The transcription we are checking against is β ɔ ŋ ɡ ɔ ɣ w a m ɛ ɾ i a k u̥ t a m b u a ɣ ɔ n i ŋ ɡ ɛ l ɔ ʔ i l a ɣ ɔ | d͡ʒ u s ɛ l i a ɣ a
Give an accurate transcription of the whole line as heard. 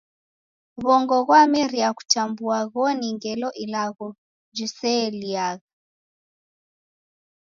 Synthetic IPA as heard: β ɔ ŋ ɡ ɔ ɣ w a m ɛ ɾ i a k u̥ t a m b u a ɣ ɔ n i ŋ ɡ ɛ l ɔ ʔ i l a ɣ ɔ | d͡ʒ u s ɛ l i a ɣ a